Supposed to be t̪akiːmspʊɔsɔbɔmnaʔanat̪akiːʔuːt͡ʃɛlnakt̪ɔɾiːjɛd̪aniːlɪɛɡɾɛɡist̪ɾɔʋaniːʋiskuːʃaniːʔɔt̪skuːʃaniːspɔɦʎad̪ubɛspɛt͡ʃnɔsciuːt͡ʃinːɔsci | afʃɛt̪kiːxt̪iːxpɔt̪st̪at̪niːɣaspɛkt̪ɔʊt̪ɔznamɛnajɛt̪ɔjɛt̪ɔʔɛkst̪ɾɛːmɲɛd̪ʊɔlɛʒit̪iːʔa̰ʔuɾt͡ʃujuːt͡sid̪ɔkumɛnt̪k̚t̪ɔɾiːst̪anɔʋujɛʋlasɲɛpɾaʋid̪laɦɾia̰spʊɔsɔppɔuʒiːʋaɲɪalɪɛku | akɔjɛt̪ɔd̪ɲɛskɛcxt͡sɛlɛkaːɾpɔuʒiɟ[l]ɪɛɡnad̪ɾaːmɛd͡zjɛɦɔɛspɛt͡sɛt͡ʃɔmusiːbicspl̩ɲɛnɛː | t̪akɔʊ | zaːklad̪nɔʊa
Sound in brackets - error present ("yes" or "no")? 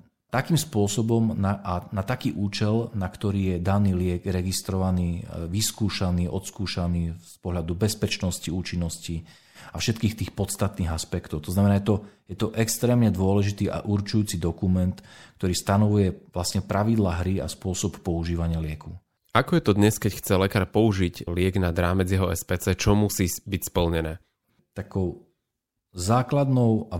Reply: no